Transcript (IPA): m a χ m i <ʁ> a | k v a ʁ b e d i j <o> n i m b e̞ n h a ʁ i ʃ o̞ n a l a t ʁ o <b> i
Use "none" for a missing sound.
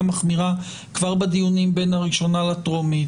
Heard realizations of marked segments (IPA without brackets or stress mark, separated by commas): ʁ, u, m